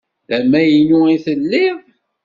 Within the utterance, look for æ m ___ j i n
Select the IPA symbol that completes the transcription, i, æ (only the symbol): æ